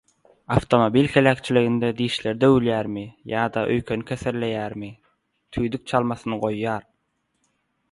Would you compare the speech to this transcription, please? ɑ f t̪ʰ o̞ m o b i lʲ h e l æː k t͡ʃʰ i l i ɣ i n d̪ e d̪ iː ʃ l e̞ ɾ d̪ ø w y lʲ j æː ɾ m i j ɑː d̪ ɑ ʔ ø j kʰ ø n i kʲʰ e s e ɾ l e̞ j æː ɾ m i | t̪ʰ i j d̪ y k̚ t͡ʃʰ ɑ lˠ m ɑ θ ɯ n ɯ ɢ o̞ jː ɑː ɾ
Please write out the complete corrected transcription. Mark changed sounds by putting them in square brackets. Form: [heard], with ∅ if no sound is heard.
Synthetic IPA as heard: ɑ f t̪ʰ o̞ m o b i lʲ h e l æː k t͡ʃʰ i l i ɣ i n d̪ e d̪ iː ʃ l e̞ ɾ d̪ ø w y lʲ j æː ɾ m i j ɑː d̪ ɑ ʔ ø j kʰ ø n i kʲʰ e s e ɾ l e̞ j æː ɾ m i | t̪ʰ [y] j d̪ y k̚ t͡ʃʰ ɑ lˠ m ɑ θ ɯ n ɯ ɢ o̞ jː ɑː ɾ